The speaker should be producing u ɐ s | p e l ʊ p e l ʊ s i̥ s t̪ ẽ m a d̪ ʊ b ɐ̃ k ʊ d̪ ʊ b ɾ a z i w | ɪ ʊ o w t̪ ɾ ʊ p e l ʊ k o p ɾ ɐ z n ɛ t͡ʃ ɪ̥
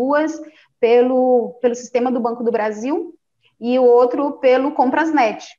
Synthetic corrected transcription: u ɐ s | p e l ʊ p e l ʊ s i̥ s t̪ ẽ m ɐ d̪ ʊ b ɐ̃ k ʊ d̪ ʊ b ɾ a z i w | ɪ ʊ o w t̪ ɾ ʊ p e l ʊ k õ p ɾ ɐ z n ɛ t͡ʃ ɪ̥

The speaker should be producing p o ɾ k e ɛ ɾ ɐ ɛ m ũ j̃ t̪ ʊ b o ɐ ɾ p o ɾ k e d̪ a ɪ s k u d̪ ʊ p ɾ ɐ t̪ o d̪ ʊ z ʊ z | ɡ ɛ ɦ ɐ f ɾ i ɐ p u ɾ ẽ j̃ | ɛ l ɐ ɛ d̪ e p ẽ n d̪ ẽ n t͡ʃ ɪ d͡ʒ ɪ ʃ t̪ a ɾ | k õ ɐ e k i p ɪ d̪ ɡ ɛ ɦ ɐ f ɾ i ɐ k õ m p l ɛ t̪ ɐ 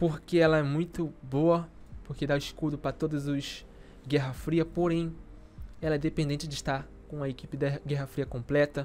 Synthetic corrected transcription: p o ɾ k e ɛ l ɐ ɛ m ũ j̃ t̪ ʊ b o ɐ p o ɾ k e d̪ a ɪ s k u d̪ ʊ p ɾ ɐ t̪ o d̪ ʊ z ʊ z | ɡ ɛ ɦ ɐ f ɾ i ɐ p o ɾ ẽ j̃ | ɛ l ɐ ɛ d̪ e p ẽ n d̪ ẽ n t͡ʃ ɪ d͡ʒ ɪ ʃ t̪ a ɾ | k õ ɐ e k i p ɪ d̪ ɡ ɛ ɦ ɐ f ɾ i ɐ k õ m p l ɛ t̪ ɐ

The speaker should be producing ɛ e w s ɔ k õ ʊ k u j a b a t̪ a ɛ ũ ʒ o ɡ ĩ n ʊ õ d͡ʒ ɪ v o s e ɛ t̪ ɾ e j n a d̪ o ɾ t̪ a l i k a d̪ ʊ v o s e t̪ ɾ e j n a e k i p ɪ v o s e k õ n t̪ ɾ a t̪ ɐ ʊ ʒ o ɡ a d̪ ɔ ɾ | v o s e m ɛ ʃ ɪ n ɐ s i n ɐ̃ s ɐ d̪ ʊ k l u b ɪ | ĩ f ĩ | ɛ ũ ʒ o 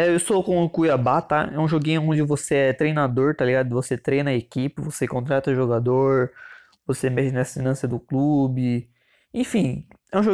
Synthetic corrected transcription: ɛ e w s o k õ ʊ k u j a b a t̪ a ɛ ũ ʒ o ɡ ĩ ɲ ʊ õ d͡ʒ ɪ v o s e ɛ t̪ ɾ e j n a d̪ o ɾ t̪ a l i ɡ a d̪ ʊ v o s e t̪ ɾ e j n ɐ e k i p ɪ v o s e k õ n t̪ ɾ a t̪ ɐ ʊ ʒ o ɡ a d̪ o ɾ | v o s e m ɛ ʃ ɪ n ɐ s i n ɐ̃ s ɐ d̪ ʊ k l u b ɪ | ẽ f ĩ | ɛ ũ ʒ o

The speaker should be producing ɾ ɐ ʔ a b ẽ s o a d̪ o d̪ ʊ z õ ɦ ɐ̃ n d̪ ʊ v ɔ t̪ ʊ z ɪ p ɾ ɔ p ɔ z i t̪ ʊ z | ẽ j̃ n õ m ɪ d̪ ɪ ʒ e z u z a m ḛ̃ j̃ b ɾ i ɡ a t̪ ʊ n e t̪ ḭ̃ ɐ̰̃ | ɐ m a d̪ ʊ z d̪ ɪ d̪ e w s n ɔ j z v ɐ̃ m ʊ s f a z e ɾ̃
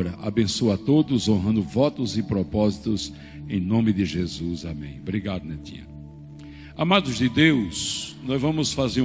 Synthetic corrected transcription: ɾ ɐ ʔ a b ẽ s o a t̪ o d̪ ʊ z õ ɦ ɐ̃ n d̪ ʊ v ɔ t̪ ʊ z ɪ p ɾ ɔ p ɔ z i t̪ ʊ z | ẽ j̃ n õ m ɪ d̪ ɪ ʒ e z u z a m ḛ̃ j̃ b ɾ i ɡ a d̪ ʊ n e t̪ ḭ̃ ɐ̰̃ | a m a d̪ ʊ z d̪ ɪ d̪ e w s n ɔ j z v ɐ̃ m ʊ s f a z e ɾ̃

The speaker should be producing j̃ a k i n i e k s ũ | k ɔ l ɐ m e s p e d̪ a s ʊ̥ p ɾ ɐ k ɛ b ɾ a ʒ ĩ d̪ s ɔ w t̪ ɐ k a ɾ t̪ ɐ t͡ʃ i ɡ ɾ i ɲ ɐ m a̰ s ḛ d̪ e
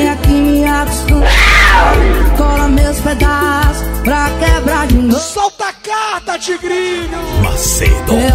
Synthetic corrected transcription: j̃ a k i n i a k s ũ | k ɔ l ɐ m e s p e d̪ a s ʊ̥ p ɾ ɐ k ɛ b ɾ a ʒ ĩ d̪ s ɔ w t̪ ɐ k a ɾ t̪ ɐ t͡ʃ i ɡ ɾ i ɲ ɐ m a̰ s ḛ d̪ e

